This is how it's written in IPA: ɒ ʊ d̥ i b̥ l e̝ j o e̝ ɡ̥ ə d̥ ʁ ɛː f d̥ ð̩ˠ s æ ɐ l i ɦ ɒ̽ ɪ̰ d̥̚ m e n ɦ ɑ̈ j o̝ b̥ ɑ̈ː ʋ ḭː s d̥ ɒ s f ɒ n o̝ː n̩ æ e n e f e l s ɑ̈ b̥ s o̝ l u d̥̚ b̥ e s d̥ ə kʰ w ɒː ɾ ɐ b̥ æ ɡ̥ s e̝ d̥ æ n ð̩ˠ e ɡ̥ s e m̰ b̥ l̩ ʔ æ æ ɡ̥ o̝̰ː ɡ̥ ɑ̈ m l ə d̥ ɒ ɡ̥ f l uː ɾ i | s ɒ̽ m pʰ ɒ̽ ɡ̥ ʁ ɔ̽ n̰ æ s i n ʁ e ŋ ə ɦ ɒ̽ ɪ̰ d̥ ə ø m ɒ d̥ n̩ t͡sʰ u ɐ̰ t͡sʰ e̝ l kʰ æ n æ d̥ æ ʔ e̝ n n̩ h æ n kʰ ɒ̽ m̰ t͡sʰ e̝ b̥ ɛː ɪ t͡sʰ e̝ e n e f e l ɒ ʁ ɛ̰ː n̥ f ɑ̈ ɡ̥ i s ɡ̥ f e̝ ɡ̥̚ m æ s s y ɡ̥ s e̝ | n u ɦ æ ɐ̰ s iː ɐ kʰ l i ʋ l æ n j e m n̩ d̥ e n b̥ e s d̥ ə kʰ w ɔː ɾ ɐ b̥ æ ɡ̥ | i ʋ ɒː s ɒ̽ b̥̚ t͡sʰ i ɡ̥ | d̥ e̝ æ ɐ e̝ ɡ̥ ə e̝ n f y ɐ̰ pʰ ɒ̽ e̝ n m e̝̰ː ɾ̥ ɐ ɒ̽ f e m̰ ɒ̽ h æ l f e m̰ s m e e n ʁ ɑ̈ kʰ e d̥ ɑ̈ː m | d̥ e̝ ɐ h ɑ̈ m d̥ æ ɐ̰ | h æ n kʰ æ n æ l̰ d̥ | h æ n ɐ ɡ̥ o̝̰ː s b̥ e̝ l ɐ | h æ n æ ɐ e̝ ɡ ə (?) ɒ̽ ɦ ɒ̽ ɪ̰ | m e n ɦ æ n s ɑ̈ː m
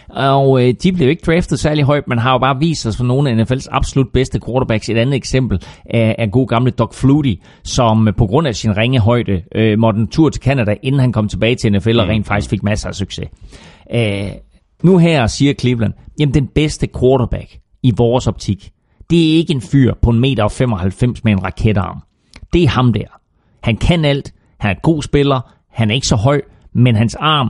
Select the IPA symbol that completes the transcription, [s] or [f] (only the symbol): s